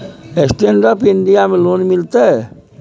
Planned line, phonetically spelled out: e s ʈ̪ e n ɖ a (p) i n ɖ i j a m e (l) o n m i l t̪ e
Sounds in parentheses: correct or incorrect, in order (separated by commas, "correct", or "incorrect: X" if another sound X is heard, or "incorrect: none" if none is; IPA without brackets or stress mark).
correct, correct